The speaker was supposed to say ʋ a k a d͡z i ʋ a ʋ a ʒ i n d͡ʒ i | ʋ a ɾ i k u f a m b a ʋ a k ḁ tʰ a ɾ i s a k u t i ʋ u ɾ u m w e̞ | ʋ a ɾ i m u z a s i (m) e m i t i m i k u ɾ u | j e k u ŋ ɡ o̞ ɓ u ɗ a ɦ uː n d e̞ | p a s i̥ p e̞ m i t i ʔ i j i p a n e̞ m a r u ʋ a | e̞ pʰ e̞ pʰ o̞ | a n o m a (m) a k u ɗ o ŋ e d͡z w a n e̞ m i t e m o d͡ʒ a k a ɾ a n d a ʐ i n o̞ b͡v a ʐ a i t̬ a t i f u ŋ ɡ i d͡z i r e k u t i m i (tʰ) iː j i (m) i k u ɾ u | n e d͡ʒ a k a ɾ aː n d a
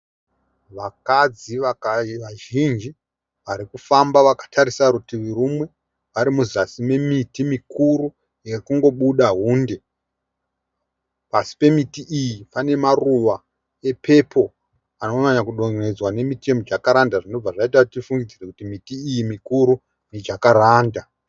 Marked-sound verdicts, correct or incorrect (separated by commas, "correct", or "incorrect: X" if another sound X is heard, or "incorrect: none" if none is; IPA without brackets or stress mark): correct, incorrect: ɲ, incorrect: t, correct